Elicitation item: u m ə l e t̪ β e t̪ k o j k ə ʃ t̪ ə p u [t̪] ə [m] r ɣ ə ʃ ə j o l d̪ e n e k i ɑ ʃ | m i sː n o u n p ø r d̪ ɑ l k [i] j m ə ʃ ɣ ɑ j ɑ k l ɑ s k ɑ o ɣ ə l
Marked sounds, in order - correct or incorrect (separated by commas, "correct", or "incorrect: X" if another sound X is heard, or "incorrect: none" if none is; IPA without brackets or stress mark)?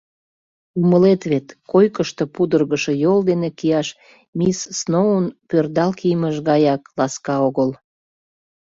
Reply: incorrect: d̪, incorrect: none, correct